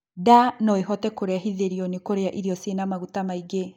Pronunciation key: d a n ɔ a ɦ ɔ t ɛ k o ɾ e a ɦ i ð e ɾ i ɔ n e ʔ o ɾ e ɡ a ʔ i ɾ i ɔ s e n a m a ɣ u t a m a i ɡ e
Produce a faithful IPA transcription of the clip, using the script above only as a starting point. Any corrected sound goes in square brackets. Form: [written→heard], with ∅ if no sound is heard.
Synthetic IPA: d a n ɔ [a→e] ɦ ɔ t ɛ k o ɾ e a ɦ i ð e ɾ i ɔ n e [ʔ→k] o ɾ e [ɡ→∅] a ʔ i ɾ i ɔ s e n a m a ɣ u t a m a i ɡ e